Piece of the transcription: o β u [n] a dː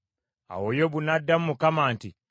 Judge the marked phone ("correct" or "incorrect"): correct